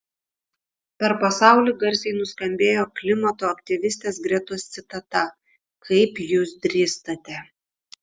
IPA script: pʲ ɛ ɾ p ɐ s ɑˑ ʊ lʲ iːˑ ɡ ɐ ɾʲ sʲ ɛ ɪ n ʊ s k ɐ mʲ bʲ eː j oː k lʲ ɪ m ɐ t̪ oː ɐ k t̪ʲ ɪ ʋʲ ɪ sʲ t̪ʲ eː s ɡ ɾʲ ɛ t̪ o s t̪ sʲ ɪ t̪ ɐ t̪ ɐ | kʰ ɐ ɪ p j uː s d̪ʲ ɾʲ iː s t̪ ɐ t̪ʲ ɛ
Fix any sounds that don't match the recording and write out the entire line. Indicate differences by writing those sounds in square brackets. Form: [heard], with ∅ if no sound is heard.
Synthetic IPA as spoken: pʲ ɛ ɾ p ɐ s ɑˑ ʊ lʲ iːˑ ɡ ɐ ɾʲ sʲ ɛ ɪ n ʊ s k ɐ mʲ bʲ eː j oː k lʲ ɪ m ɐ t̪ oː ɐ k t̪ʲ ɪ ʋʲ ɪ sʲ t̪ʲ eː s ɡ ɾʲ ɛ t̪ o s t̪ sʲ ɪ t̪ ɐ t̪ ɐ | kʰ ɐ ɪ p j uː s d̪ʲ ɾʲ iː s t̪ ɐ t̪ʲ ɛ